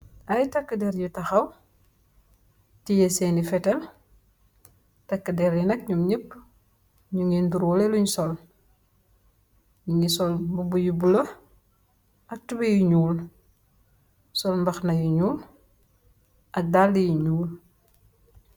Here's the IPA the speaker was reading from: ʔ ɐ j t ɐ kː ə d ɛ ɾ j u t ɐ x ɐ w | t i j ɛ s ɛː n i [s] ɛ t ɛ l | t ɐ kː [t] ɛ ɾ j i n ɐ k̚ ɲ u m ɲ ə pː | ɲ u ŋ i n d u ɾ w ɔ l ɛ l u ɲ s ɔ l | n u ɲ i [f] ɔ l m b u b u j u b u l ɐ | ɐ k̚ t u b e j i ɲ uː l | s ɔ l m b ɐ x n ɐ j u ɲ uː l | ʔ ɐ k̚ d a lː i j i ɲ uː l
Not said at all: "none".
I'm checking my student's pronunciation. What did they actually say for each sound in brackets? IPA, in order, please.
f, d, s

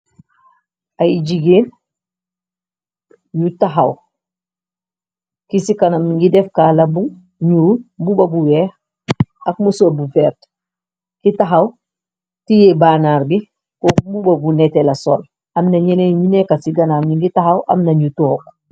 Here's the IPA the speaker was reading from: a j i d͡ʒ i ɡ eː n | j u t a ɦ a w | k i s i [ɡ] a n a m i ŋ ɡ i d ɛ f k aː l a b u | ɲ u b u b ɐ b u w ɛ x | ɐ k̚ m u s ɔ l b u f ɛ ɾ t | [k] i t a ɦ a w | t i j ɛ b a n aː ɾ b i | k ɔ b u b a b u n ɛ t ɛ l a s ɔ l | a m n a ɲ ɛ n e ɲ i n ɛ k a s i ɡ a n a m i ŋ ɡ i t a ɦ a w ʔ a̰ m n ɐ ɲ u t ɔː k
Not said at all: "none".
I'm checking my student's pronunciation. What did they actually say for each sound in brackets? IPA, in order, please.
k, k

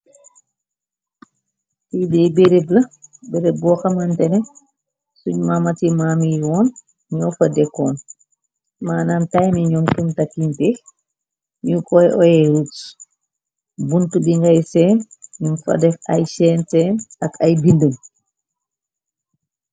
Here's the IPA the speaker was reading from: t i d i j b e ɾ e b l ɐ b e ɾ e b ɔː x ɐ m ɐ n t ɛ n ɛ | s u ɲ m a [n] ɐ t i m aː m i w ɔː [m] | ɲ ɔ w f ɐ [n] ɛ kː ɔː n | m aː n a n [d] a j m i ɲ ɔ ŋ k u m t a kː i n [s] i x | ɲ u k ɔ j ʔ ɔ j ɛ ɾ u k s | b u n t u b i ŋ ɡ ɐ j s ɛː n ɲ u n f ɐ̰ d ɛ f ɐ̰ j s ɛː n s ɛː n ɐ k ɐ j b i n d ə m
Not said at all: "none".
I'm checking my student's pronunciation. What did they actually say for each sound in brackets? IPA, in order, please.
m, n, d, t, t

